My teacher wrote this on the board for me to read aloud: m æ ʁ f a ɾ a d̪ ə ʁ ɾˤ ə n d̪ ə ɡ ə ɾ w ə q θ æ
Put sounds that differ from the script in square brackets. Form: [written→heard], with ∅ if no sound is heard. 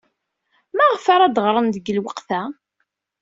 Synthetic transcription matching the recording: m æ ʁ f a ɾ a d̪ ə ʁ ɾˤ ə n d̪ ə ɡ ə [ɾ→l] w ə q θ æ